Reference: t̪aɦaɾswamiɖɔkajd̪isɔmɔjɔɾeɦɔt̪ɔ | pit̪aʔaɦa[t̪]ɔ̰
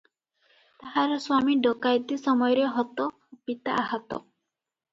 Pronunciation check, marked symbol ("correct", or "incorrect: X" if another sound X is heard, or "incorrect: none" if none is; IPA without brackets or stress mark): correct